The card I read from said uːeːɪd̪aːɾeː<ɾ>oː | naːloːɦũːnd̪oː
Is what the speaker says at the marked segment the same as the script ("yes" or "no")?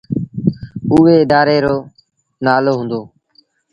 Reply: yes